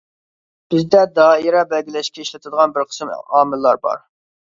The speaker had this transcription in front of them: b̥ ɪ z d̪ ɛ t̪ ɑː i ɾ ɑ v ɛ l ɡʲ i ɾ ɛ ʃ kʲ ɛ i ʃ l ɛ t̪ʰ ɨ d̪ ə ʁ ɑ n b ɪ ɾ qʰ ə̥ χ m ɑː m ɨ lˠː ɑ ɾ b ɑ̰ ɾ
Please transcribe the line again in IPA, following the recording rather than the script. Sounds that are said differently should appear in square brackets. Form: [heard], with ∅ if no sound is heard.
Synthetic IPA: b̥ ɪ z d̪ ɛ [d̪] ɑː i ɾ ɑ [b] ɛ l ɡʲ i [l] ɛ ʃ kʲ ɛ i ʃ l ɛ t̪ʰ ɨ d̪ ə ʁ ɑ n b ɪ ɾ qʰ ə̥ [s] m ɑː m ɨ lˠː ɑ ɾ b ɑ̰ ɾ